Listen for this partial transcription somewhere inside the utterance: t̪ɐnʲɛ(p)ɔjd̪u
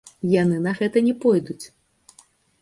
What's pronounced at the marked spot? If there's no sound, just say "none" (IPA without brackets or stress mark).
p